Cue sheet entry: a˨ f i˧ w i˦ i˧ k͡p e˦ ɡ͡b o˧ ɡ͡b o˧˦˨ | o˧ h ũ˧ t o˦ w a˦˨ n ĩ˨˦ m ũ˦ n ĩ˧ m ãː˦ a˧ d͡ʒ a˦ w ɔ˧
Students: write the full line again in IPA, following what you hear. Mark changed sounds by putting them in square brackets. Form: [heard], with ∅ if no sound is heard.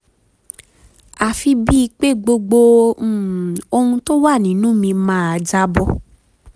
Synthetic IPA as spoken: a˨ f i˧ [b] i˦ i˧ k͡p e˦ ɡ͡b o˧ ɡ͡b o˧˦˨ | o˧ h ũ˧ t o˦ w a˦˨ n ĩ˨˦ [n] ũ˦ [m] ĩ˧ m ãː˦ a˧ d͡ʒ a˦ [b] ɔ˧